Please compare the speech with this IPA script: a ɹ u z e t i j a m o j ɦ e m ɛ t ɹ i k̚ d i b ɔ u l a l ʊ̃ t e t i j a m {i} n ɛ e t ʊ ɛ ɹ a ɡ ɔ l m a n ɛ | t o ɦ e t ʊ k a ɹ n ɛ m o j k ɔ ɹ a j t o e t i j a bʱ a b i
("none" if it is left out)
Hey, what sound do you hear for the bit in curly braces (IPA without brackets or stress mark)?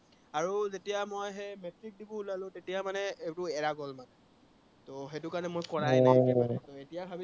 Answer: a